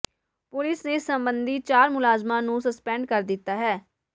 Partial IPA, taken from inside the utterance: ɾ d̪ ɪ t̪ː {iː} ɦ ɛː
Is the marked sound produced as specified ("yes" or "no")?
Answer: no